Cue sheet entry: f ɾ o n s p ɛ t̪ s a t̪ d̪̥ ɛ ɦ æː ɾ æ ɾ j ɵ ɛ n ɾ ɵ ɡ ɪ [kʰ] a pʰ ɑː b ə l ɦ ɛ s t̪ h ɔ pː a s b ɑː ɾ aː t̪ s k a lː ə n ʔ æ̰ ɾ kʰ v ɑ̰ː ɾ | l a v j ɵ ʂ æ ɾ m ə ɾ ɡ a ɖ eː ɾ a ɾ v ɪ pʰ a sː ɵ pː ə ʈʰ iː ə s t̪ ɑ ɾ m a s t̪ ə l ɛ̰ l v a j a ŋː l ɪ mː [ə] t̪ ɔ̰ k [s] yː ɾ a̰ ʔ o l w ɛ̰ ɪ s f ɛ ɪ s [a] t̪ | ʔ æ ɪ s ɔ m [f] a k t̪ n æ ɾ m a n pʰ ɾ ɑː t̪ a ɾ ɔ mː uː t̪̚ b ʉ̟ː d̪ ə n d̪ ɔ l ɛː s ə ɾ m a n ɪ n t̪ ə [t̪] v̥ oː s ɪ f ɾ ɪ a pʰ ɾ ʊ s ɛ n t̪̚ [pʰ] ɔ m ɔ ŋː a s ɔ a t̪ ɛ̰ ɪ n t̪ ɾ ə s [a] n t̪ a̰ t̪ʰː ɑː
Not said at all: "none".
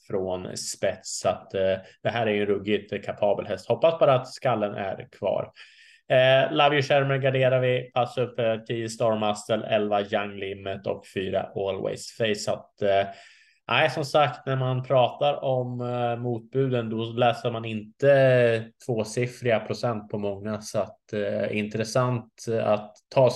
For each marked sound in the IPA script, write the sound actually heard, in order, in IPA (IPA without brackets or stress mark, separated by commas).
kʰ, ə, f, a, s, t̪ʰ, pʰ, a